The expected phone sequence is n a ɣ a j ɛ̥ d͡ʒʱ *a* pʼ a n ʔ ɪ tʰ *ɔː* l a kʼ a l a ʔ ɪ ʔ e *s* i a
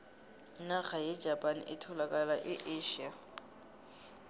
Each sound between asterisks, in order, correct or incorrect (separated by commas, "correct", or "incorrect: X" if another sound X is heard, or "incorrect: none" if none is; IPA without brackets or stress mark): correct, incorrect: ɔ, incorrect: ʃ